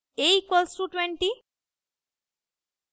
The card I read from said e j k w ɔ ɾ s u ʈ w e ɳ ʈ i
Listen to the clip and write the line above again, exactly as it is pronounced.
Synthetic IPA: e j k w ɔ l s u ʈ w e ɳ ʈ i